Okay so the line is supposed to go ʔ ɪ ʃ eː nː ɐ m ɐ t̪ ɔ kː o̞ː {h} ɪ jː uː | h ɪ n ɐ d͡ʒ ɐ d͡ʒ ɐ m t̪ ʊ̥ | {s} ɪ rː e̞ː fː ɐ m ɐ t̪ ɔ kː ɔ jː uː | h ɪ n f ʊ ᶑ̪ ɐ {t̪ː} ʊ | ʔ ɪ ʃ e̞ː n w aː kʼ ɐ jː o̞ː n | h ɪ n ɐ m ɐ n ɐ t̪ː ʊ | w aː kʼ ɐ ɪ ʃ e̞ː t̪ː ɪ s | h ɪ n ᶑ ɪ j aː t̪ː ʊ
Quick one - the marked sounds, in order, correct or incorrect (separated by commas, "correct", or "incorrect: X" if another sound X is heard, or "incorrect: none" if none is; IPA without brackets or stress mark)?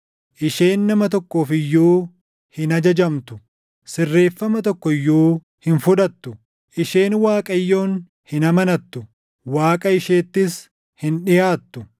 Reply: incorrect: f, correct, correct